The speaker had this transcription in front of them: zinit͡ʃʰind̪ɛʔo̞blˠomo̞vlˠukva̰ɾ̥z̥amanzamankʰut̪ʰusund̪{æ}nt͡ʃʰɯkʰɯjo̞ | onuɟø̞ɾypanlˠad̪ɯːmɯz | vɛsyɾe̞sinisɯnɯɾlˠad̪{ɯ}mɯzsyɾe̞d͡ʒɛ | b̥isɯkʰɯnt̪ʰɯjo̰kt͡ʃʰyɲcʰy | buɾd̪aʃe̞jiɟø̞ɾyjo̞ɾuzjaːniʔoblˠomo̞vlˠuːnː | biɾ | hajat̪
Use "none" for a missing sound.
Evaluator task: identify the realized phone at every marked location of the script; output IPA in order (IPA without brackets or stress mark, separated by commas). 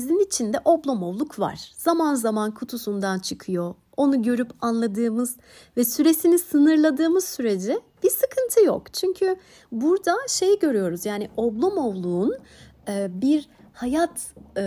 a, ɯː